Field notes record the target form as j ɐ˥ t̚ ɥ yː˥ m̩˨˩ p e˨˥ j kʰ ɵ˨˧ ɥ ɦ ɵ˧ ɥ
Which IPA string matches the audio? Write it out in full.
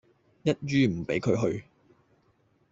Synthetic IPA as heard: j ɐ˥ t̚ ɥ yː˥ m̩˨˩ p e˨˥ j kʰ ɵ˨˧ ɥ ɦ ɵ˧ ɥ